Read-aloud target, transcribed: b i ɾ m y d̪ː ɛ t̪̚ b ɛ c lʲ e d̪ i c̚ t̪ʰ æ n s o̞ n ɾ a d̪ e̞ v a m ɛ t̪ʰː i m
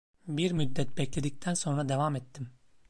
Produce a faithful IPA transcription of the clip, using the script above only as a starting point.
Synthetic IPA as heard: b i ɾ m y d̪ː ɛ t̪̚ b ɛ c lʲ e d̪ i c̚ t̪ʰ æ n s o̞ n ɾ a d̪ e̞ v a m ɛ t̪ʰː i m